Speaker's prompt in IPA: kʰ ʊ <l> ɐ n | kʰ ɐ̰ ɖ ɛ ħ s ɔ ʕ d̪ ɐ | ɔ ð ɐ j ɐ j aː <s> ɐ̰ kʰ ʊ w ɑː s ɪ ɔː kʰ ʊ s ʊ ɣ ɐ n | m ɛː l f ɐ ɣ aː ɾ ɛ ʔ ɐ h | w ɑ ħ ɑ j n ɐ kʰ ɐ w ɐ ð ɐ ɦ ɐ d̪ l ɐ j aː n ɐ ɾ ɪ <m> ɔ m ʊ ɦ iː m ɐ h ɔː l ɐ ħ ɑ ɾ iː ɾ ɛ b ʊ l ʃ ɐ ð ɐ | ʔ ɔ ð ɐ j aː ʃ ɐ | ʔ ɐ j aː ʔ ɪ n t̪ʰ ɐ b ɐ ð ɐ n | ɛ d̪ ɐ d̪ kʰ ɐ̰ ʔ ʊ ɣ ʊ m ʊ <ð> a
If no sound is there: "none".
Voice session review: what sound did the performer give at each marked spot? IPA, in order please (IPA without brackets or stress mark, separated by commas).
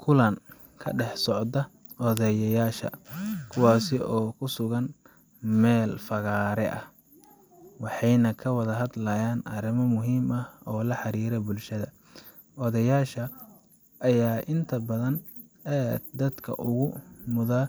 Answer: l, ʃ, m, ð